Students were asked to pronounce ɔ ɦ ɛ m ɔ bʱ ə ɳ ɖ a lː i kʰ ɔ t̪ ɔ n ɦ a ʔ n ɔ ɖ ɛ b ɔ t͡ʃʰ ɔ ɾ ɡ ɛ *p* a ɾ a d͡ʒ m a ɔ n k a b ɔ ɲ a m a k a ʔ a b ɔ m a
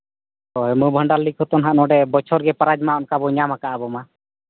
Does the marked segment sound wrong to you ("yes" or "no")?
no